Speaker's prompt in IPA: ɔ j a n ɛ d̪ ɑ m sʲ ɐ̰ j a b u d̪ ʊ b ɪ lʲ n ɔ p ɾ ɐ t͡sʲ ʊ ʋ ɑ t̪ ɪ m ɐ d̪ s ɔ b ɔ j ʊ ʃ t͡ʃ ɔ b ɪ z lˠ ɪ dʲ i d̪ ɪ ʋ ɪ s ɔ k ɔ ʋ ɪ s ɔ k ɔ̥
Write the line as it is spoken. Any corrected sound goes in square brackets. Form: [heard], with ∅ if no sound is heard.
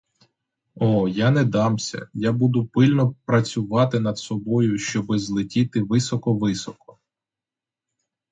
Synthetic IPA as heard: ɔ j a n ɛ d̪ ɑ m sʲ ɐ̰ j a b u d̪ ʊ [p] ɪ lʲ n ɔ p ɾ ɐ t͡sʲ ʊ ʋ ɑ t̪ ɪ [n] ɐ d̪ s ɔ b ɔ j ʊ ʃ t͡ʃ ɔ b ɪ z lˠ ɪ [tʲ] i [t̪] ɪ ʋ ɪ s ɔ k ɔ ʋ ɪ s ɔ k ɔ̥